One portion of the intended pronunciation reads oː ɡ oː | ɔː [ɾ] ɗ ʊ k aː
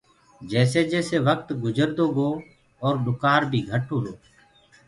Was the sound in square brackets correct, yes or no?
yes